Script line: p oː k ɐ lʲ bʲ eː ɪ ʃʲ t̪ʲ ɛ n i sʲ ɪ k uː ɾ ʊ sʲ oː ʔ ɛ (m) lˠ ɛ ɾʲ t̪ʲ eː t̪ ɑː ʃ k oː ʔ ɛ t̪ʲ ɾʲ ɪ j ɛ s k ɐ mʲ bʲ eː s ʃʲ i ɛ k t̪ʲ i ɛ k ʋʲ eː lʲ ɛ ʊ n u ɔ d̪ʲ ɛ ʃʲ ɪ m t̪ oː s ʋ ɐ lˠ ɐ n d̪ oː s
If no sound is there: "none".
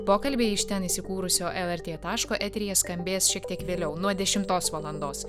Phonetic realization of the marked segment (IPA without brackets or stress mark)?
none